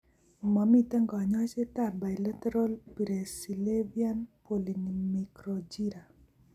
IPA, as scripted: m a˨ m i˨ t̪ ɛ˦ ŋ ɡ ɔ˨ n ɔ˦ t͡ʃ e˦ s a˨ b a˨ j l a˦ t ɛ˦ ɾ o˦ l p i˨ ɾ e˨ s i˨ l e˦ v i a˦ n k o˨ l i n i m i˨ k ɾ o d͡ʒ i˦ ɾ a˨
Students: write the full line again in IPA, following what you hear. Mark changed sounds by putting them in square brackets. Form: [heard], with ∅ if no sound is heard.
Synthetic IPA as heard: m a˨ m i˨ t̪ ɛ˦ ŋ ɡ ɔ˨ [ɲ] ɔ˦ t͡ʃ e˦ [t] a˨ b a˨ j l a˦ t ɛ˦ ɾ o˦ l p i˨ ɾ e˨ s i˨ l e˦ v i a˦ n [p] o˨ l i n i m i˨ k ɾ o d͡ʒ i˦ ɾ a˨